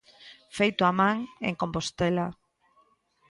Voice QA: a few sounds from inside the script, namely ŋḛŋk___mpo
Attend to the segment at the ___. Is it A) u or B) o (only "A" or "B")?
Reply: B